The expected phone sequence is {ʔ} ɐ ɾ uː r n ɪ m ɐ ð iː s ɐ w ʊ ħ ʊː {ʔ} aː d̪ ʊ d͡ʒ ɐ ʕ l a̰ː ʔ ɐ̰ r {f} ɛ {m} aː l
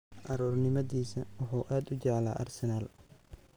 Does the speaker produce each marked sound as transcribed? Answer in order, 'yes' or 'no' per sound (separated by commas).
yes, yes, no, no